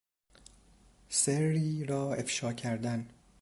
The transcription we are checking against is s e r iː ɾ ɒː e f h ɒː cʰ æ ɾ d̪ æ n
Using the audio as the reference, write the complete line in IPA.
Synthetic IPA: s e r iː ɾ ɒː e f ʃ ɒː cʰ æ ɾ d̪ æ n